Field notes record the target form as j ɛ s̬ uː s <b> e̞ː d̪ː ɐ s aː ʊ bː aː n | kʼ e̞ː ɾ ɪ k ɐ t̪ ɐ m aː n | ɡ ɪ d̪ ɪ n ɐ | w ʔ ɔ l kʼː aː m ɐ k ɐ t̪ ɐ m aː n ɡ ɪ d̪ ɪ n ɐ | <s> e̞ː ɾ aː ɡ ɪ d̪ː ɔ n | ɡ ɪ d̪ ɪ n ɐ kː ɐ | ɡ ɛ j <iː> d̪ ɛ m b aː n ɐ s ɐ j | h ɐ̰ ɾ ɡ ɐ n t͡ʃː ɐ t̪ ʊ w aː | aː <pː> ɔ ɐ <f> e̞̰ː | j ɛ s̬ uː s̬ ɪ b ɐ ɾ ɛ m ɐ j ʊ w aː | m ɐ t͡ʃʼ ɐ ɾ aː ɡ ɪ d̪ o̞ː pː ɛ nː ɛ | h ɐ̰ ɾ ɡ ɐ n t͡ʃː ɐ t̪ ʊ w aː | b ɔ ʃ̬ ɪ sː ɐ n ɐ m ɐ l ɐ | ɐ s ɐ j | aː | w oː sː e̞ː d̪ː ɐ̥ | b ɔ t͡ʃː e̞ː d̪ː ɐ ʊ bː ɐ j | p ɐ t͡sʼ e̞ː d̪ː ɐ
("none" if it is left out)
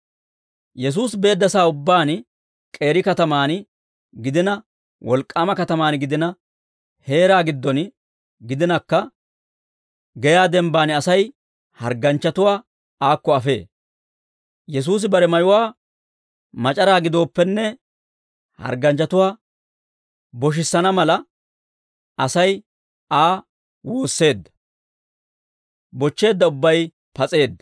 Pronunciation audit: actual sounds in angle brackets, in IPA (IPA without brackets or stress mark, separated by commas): b, h, aː, kː, f